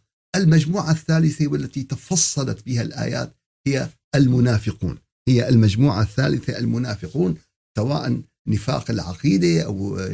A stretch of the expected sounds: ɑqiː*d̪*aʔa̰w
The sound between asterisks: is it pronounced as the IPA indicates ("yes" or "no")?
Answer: yes